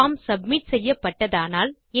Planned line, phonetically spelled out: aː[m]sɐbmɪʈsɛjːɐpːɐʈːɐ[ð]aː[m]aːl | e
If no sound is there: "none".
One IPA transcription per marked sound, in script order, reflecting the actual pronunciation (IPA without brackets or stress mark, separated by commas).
m, ð, n